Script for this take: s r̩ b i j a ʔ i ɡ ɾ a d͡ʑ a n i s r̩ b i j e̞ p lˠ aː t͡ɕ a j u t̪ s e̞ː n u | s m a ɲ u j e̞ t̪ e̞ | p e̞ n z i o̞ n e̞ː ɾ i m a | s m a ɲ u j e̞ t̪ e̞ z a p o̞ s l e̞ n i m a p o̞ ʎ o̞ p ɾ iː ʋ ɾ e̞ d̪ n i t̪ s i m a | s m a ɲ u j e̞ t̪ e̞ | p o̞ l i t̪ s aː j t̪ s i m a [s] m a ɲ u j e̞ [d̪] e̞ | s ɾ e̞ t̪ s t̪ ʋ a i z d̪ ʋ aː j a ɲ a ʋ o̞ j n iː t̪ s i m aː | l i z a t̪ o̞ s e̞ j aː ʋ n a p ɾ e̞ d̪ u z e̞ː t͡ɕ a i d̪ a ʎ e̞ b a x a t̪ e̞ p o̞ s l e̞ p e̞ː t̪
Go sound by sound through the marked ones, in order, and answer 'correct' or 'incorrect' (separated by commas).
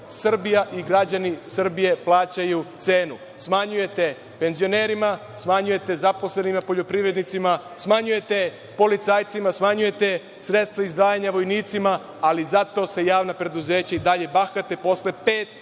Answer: correct, incorrect